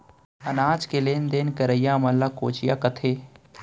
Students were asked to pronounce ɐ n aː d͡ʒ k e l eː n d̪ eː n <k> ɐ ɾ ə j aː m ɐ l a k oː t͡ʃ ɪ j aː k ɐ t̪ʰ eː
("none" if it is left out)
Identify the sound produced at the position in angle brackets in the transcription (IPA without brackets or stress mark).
k